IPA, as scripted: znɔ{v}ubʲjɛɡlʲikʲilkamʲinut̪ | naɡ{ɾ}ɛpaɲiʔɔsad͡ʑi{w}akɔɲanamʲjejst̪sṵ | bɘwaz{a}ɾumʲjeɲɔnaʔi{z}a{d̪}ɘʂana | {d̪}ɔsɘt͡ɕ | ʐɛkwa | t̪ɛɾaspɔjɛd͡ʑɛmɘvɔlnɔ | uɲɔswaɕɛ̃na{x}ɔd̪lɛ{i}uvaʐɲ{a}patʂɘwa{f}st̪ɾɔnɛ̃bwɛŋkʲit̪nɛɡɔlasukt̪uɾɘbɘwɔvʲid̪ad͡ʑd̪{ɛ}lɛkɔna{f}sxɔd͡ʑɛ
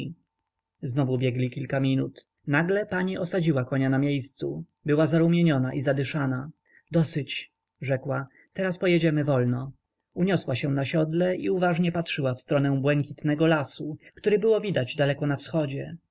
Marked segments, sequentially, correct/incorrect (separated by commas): correct, incorrect, correct, correct, correct, correct, correct, incorrect, correct, incorrect, correct, incorrect, correct